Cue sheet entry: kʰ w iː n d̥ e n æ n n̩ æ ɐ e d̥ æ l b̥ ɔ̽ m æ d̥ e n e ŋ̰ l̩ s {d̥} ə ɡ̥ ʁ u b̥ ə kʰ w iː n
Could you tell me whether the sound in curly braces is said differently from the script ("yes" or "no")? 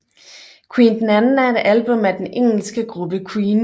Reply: yes